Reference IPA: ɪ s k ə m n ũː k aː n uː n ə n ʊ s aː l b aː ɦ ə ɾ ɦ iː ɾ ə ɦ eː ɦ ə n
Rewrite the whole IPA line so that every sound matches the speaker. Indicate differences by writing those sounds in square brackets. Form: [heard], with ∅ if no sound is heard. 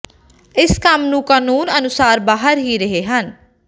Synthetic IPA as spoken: ɪ s k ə m n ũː k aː n uː n ə n ʊ s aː [ɾ] b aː ɦ ə ɾ ɦ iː ɾ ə ɦ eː ɦ ə n